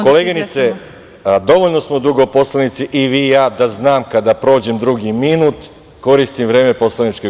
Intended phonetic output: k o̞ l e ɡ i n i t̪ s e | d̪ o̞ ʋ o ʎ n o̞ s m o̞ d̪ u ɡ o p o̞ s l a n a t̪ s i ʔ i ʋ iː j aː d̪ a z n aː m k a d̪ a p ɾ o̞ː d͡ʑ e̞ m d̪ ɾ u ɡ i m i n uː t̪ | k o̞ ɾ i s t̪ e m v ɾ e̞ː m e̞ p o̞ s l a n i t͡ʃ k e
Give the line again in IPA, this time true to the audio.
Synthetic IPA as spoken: k o̞ l e ɡ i n i t̪ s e | d̪ o̞ ʋ o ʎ n o̞ s m o̞ d̪ u ɡ o p o̞ s l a n i t̪ s i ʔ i ʋ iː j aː d̪ a z n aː m k a d̪ a p ɾ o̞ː d͡ʑ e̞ m d̪ ɾ u ɡ i m i n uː t̪ | k o̞ ɾ i s t̪ i m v ɾ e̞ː m e̞ p o̞ s l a n i t͡ʃ k e